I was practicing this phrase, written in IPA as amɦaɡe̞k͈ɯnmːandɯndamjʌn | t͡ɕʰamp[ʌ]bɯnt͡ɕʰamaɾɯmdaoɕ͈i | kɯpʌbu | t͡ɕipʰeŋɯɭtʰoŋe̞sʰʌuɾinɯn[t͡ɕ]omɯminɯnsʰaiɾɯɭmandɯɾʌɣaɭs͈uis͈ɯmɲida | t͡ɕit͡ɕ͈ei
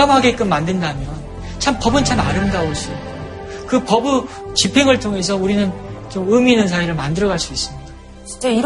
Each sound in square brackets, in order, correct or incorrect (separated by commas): correct, correct